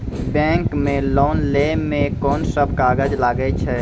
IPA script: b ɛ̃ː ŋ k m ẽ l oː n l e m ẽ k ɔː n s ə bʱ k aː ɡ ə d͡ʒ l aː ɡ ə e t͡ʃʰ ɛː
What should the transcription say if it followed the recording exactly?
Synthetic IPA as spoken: b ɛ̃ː ŋ k m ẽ l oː n l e m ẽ k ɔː n s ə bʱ k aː ɡ ə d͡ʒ l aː ɡ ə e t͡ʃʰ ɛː